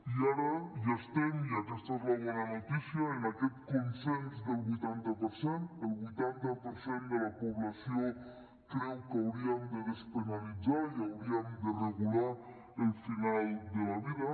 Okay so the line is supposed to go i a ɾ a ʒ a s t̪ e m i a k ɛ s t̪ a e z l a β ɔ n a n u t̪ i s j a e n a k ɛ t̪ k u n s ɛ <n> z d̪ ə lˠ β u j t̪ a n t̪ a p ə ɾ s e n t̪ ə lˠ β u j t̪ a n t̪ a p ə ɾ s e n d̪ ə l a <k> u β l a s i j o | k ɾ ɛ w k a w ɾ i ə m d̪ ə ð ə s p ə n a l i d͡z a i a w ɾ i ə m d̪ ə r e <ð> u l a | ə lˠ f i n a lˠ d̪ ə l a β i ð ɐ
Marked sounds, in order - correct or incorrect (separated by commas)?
correct, incorrect, incorrect